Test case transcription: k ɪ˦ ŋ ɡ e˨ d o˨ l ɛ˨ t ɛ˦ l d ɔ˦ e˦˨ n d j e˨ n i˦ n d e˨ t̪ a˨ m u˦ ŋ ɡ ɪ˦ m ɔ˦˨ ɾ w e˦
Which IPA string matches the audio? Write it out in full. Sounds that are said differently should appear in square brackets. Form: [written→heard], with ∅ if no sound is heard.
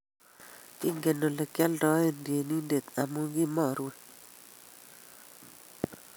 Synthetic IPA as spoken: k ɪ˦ ŋ ɡ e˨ [d→n] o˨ l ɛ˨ [t→k] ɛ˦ l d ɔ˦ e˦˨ n d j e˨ n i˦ n d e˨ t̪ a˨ m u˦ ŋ ɡ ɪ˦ m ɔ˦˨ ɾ w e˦